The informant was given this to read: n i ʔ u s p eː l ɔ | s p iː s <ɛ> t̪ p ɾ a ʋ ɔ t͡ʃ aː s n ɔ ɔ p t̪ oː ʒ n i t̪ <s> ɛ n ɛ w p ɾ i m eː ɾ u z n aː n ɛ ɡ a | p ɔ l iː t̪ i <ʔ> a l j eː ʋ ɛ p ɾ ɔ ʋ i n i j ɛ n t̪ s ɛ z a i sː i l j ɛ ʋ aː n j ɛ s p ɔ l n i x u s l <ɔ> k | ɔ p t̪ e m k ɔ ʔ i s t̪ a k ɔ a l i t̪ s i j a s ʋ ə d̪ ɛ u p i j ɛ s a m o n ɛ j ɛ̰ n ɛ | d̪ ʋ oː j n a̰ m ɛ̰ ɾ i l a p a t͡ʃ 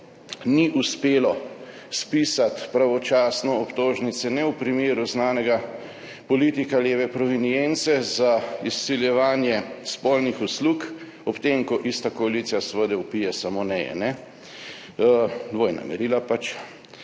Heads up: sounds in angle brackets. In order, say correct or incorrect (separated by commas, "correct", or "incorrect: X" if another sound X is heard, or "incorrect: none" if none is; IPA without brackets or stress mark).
incorrect: a, correct, incorrect: k, incorrect: u